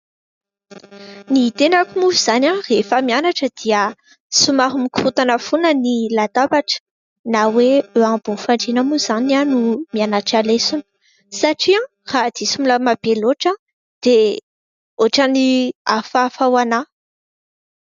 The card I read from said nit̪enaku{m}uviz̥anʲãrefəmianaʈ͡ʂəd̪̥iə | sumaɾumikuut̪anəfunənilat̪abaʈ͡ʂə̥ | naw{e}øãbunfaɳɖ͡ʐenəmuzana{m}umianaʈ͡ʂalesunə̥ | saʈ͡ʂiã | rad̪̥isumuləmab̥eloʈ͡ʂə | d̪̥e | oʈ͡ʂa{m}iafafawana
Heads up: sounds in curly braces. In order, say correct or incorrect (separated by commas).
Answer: correct, correct, incorrect, incorrect